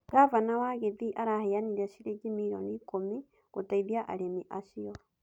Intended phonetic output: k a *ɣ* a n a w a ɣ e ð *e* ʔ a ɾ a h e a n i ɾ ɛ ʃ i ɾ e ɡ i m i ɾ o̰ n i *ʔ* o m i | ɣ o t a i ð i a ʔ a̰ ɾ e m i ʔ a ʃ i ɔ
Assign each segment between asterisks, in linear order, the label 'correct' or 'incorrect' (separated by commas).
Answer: incorrect, incorrect, incorrect